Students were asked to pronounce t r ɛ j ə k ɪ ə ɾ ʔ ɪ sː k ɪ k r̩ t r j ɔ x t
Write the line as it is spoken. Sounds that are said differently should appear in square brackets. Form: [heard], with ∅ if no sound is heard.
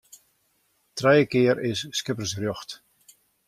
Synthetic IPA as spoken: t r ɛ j ə k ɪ ə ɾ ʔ ɪ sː k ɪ [p] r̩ [s] r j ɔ x t